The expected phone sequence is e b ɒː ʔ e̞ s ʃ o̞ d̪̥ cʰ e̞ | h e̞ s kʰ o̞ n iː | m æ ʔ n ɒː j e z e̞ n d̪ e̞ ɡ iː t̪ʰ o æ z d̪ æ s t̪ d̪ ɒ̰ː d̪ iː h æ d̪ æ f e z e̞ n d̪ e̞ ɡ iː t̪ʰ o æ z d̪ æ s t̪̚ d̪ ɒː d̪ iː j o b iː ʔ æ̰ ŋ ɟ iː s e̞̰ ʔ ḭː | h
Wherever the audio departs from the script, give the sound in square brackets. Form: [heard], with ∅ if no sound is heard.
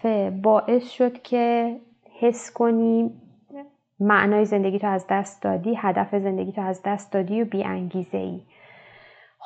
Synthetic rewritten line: e b ɒː ʔ e̞ s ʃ o̞ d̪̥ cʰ e̞ | h e̞ s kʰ o̞ n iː | m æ ʔ n ɒː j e z e̞ n d̪ e̞ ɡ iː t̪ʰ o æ z d̪ æ s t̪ d̪ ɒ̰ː d̪ iː h æ d̪ æ f e z e̞ n d̪ e̞ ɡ iː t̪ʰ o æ z d̪ æ s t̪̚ d̪ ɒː d̪ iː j o b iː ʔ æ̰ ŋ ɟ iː [z] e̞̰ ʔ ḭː | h